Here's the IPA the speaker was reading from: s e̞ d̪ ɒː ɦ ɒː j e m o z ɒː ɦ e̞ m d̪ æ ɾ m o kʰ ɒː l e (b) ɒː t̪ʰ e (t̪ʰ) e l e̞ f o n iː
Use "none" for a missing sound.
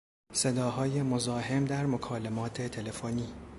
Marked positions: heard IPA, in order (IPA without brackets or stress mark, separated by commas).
m, t̪ʰ